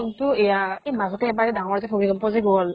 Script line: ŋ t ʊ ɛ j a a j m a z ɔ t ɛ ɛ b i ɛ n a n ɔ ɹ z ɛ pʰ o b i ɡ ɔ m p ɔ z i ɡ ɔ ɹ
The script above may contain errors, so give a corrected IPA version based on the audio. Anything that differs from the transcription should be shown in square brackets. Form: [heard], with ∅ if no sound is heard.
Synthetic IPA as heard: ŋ t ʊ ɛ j a [e] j m a z ɔ t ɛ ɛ b [a] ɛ [d] a [ŋ] ɔ ɹ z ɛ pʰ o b i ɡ ɔ m p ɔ z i ɡ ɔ [l]